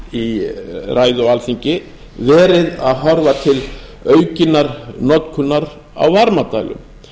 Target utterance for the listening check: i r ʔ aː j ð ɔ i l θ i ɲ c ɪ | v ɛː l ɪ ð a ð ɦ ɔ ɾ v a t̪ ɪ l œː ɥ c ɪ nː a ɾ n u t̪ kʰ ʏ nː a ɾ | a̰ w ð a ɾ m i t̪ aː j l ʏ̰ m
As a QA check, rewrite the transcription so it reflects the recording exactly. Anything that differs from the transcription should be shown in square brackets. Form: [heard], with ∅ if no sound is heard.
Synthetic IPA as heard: i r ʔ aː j ð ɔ [a] l θ i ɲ c ɪ | v ɛː [ɾ] ɪ ð a ð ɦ ɔ ɾ v a [t̪ʰ] ɪ l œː ɥ c ɪ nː a ɾ n [ɔ] t̪ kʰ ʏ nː a ɾ | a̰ w [v] a ɾ m [a] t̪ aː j l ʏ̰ m